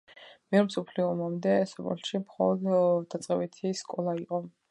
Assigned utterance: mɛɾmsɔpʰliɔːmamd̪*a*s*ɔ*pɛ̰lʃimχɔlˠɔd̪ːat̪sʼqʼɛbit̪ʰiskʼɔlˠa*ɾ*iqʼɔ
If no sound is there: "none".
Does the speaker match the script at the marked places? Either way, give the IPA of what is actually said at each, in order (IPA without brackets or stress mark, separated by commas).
ɛ, ɔ, none